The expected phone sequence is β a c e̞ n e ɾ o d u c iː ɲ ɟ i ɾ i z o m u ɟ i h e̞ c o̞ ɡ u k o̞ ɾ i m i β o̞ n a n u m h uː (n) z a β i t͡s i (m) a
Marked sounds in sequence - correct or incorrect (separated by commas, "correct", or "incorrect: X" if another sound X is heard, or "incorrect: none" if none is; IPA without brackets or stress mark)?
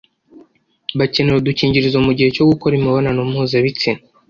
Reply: incorrect: none, incorrect: n